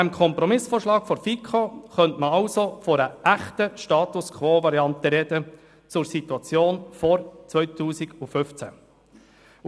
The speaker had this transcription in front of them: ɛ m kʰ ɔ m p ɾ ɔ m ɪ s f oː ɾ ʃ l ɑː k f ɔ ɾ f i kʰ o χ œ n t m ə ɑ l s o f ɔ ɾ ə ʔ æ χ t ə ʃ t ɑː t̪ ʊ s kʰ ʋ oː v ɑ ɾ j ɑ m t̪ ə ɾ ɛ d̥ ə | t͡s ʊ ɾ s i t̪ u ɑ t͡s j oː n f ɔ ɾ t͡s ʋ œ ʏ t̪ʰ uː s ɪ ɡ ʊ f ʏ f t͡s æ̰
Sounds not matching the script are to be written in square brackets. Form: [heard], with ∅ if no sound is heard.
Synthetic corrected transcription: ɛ m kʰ ɔ m p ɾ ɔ m ɪ s f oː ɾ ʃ l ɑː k f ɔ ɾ f i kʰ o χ œ n t m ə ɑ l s o f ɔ ɾ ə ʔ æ χ t ə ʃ t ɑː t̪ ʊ s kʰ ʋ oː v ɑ ɾ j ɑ [n] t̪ ə ɾ ɛ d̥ ə | t͡s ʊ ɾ s i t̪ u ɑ t͡s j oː n f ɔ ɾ t͡s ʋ œ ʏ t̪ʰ uː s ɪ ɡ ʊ f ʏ f t͡s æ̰

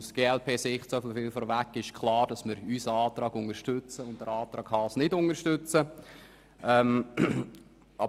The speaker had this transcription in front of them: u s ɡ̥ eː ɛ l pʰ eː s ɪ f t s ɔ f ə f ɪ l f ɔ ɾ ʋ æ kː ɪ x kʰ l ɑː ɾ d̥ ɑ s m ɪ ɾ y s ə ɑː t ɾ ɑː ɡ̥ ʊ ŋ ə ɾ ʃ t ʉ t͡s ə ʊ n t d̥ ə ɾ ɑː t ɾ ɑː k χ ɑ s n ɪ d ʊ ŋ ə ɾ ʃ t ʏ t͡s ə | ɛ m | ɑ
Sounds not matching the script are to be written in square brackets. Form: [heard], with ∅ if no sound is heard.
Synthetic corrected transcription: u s ɡ̥ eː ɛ l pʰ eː s ɪ [χ] t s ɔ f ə f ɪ l f ɔ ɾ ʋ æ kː ɪ [ʃ] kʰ l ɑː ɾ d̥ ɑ s m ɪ ɾ y s ə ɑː t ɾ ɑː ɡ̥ ʊ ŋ ə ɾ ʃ t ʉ t͡s ə ʊ n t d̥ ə ɾ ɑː t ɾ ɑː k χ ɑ s n ɪ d ʊ ŋ ə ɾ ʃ t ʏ t͡s ə | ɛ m | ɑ

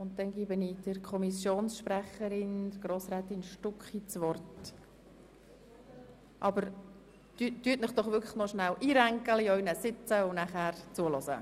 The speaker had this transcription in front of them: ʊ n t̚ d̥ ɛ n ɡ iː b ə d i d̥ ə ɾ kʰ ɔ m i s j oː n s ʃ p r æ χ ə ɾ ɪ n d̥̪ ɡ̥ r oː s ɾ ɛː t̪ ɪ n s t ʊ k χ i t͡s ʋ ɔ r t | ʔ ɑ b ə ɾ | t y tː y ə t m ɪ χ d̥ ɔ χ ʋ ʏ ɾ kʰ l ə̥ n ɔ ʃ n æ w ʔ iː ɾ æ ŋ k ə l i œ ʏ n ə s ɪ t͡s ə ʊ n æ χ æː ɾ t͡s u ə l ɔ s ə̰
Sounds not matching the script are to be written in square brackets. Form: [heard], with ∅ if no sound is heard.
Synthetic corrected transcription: ʊ n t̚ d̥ ɛ n ɡ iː b ə [n] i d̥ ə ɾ kʰ ɔ m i s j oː n s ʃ p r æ χ ə ɾ ɪ n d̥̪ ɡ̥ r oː s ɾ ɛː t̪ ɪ n [ʃ] t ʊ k χ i t͡s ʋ ɔ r t | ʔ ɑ b ə ɾ | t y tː y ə t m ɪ χ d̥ ɔ χ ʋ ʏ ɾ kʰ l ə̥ n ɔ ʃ n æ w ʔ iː ɾ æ ŋ k ə l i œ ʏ n ə s ɪ t͡s ə ʊ n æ χ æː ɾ t͡s u ə l ɔ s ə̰

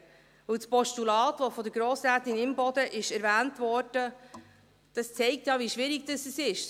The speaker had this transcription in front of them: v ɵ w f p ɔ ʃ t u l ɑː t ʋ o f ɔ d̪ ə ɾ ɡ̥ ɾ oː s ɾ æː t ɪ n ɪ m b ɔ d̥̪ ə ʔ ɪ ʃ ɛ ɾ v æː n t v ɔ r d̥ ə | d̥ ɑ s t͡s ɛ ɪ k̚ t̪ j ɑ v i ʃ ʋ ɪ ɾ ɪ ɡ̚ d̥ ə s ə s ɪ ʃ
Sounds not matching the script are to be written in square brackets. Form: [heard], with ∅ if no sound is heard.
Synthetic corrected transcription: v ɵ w [s] p ɔ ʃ t u l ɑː t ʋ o f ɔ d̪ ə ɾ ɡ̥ ɾ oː s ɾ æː t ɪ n ɪ m b ɔ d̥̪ ə ʔ ɪ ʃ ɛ ɾ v æː n t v ɔ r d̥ ə | d̥ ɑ s t͡s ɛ ɪ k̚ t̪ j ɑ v i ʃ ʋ ɪ ɾ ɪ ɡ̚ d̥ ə s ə s ɪ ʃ

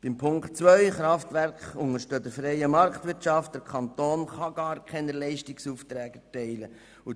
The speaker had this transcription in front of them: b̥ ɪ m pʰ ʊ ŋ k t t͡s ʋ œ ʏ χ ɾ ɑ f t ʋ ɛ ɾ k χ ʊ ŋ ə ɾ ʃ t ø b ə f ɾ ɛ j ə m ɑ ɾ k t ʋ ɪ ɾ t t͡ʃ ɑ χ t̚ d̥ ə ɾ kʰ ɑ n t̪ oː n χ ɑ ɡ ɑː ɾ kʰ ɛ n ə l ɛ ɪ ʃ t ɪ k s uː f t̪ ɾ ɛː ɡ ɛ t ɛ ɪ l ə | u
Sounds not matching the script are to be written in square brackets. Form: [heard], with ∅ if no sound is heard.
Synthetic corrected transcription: b̥ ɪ m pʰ ʊ ŋ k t t͡s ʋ œ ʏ χ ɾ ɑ f t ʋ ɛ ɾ k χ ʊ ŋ ə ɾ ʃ t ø [d] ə f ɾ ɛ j ə m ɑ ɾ k t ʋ ɪ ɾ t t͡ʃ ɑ [f] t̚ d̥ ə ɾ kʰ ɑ n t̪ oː n χ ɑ ɡ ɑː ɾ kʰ ɛ n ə l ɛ ɪ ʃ t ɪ k s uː f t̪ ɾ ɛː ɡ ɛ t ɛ ɪ l ə | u

